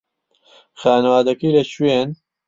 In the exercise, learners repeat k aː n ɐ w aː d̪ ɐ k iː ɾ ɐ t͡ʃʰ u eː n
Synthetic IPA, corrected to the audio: x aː n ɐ w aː d̪ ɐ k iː l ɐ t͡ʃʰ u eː n